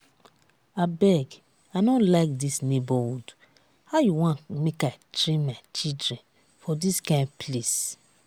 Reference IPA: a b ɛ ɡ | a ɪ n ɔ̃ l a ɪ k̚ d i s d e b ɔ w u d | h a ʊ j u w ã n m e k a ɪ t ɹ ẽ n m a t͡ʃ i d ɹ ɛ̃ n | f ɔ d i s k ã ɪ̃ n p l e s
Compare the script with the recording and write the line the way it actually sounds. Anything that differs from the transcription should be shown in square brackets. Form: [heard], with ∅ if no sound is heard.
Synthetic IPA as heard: a b ɛ ɡ | a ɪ n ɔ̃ l a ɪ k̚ d i s [n] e b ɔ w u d | h a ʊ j u w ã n m e k a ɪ t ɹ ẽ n m a t͡ʃ i d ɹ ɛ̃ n | f ɔ d i s k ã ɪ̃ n p l e s